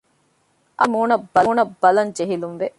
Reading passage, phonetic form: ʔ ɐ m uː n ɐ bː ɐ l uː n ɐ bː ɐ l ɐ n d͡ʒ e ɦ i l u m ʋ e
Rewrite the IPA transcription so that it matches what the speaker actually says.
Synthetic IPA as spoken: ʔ ɐ m uː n ɐ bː ɐ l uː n ɐ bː ɐ l ɐ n d͡ʒ e ɦ i l u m ʋ e